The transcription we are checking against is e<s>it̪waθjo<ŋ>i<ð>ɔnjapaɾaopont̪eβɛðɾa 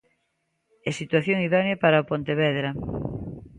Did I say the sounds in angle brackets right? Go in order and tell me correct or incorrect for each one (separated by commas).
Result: correct, correct, correct